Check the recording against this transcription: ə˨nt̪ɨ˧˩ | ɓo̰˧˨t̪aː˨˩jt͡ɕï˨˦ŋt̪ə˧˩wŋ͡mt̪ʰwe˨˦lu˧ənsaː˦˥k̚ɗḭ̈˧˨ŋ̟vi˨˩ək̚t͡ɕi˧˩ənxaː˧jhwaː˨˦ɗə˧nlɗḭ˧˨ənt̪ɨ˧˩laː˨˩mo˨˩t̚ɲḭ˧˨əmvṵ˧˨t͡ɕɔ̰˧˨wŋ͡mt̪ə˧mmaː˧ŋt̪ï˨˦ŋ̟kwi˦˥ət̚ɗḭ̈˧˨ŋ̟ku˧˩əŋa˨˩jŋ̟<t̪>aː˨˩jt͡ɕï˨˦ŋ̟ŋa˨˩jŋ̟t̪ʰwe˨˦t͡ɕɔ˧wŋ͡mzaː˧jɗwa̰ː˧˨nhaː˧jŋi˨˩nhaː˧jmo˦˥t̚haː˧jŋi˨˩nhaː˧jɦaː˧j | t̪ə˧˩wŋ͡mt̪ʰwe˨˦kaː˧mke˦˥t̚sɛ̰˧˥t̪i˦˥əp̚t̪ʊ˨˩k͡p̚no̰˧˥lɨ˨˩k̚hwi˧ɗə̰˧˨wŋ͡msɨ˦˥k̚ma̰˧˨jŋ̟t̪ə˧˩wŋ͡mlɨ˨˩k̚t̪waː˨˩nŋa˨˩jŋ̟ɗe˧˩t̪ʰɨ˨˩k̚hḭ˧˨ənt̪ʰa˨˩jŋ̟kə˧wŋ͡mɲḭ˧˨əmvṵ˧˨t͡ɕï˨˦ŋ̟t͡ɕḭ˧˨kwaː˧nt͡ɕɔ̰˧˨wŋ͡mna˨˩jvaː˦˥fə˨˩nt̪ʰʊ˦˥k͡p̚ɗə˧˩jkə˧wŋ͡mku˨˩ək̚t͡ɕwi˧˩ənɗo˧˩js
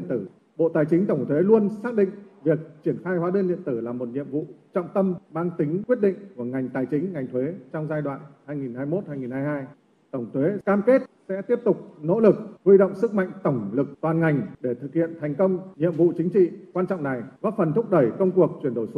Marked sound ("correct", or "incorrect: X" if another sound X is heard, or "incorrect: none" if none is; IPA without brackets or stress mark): correct